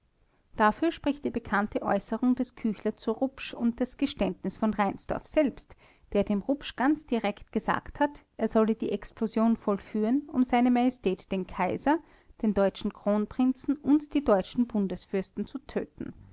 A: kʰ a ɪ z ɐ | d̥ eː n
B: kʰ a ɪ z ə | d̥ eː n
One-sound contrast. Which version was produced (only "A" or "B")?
A